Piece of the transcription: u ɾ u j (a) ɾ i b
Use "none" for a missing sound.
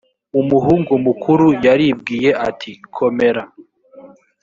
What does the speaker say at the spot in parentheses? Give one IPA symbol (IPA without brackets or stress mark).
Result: a